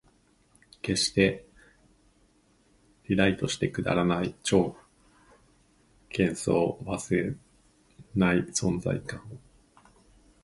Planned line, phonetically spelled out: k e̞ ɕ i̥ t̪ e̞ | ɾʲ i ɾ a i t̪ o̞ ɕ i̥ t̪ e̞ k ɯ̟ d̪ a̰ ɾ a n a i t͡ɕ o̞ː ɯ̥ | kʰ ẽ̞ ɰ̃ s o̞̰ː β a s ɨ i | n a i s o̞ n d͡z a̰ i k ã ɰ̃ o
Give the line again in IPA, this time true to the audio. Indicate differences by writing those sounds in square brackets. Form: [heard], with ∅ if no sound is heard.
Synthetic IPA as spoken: k e̞ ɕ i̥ t̪ e̞ | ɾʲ i ɾ a i t̪ o̞ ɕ i̥ t̪ e̞ k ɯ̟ d̪ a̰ ɾ a n a i t͡ɕ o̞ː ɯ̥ | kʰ ẽ̞ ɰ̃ s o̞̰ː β a s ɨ [e] | n a i s [õ̞] n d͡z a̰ i k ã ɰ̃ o